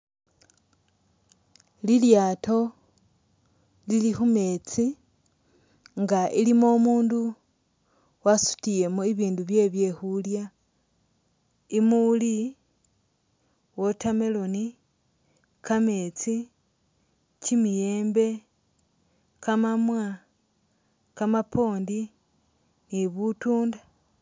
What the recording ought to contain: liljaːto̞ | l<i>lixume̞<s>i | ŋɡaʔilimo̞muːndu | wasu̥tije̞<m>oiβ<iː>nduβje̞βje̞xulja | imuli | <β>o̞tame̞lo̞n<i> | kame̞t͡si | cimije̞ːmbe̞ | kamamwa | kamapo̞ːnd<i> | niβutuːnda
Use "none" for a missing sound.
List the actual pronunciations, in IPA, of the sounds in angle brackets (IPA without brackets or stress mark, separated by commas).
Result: i, t͡s, m, iː, w, i, i